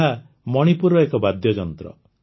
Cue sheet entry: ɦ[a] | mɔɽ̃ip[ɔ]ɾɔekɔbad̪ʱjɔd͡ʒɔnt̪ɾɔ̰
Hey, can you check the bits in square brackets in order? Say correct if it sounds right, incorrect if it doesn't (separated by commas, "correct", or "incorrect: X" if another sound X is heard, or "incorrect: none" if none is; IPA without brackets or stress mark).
correct, incorrect: u